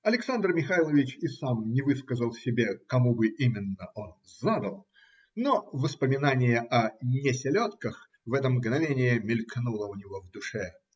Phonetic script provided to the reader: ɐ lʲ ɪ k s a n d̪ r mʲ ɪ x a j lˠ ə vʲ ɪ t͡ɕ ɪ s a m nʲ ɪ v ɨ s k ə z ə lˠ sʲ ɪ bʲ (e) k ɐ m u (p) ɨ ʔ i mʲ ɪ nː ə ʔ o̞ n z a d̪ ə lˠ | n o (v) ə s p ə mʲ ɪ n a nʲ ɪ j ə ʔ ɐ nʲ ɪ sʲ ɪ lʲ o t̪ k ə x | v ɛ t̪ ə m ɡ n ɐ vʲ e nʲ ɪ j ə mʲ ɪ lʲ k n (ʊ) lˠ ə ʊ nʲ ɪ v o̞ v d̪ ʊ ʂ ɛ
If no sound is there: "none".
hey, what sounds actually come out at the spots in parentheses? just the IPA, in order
e, b, v, u

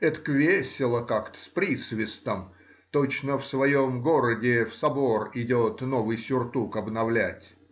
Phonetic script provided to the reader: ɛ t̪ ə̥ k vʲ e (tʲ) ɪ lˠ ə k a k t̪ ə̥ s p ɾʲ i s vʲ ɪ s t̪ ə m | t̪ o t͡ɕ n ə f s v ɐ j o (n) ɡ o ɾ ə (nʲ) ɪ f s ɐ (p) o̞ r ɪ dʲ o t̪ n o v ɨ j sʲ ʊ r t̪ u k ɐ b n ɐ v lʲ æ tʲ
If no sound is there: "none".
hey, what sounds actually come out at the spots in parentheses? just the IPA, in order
sʲ, m, dʲ, b

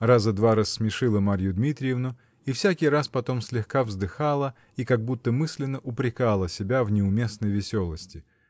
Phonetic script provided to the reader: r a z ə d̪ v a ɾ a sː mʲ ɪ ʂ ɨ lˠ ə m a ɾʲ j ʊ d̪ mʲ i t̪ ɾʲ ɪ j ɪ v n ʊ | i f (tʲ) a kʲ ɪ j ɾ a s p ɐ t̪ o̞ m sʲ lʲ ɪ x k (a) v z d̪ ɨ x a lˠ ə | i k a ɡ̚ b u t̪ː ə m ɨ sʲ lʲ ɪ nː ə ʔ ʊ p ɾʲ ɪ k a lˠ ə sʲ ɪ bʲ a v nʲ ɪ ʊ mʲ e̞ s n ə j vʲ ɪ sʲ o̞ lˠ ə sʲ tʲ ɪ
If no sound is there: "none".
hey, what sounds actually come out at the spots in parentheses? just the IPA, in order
sʲ, a

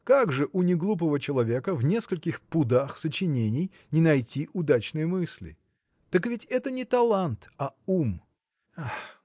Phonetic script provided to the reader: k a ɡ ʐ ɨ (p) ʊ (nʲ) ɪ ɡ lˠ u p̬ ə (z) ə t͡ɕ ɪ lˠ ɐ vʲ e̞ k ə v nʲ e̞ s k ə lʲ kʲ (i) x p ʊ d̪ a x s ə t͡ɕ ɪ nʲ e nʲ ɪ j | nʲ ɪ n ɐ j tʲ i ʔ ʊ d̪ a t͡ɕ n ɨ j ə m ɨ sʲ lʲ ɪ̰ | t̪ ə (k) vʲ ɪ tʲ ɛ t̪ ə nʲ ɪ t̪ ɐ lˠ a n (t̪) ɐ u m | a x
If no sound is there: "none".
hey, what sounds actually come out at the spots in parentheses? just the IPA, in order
ʔ, nʲ, v, ɪ, k, t̪

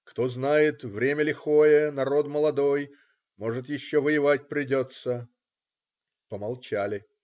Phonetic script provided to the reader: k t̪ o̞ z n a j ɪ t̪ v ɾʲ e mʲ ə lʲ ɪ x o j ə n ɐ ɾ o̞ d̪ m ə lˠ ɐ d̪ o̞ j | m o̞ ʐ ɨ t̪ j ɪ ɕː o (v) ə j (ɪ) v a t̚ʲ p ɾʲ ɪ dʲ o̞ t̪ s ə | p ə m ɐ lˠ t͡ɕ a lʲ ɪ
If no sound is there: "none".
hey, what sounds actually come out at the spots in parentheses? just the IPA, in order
v, ɪ

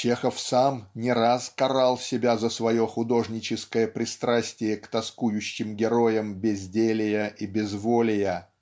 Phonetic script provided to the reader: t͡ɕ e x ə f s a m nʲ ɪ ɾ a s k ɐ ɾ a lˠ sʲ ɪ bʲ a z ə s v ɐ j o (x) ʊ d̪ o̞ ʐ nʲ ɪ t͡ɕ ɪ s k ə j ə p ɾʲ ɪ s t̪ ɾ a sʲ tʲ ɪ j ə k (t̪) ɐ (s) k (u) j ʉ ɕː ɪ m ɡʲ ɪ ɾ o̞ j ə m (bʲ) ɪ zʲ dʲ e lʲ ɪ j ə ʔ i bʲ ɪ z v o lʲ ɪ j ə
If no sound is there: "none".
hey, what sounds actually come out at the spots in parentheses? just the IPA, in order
x, t̪, s, u, bʲ

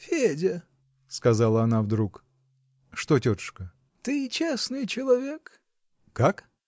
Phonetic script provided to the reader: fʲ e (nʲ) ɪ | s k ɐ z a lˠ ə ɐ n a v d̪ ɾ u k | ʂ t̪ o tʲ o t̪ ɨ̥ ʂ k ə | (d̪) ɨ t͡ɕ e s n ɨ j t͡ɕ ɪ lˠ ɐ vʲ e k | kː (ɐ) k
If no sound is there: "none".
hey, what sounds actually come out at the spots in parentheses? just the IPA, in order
dʲ, t̪, a

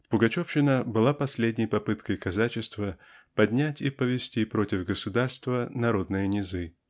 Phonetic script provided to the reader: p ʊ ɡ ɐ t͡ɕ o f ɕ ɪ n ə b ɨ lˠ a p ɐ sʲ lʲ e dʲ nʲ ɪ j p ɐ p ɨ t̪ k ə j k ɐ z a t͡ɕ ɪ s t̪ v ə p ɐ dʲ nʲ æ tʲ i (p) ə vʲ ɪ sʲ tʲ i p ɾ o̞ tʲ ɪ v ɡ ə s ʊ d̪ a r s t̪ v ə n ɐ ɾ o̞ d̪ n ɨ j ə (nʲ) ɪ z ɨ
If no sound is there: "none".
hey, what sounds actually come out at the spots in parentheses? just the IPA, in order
p, nʲ

